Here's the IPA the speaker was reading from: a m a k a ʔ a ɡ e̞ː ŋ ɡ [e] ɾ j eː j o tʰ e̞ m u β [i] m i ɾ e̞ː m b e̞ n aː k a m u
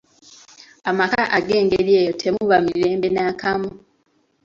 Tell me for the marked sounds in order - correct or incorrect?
correct, incorrect

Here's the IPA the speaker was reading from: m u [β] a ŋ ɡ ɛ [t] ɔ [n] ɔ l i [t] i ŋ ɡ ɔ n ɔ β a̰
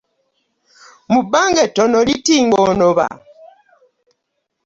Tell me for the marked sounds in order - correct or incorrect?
incorrect, correct, correct, correct

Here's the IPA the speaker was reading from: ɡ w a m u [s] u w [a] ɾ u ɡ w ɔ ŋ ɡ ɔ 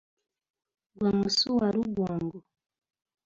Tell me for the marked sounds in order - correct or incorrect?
correct, correct

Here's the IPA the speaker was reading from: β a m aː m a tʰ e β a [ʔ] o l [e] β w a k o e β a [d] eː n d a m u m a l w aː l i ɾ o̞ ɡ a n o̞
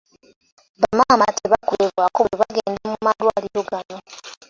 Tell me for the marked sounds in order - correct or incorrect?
incorrect, correct, incorrect

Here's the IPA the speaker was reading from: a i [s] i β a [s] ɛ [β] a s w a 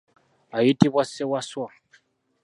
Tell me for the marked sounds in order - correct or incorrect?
incorrect, correct, incorrect

